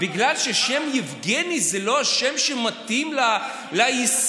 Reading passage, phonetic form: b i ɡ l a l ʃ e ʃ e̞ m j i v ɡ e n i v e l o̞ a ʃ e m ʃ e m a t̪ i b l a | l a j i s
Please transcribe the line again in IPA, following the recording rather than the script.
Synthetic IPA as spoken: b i ɡ l a l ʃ e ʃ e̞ m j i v ɡ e n i z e l o̞ a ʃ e m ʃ e m a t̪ i m l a | l a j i s